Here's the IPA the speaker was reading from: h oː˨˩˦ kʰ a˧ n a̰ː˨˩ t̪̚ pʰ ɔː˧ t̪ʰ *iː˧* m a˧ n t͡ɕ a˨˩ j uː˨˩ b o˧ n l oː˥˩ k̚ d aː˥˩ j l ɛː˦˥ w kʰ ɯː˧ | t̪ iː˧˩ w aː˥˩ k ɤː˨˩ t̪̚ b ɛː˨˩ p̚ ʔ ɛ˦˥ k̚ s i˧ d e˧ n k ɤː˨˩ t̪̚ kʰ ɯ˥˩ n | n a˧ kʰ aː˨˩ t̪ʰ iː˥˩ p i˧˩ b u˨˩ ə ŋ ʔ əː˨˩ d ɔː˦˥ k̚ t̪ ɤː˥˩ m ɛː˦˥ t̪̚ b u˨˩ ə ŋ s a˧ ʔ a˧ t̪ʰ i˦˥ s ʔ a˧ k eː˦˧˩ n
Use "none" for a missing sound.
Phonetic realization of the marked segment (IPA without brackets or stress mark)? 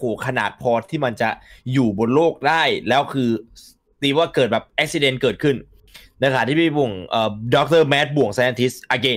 iː˥˩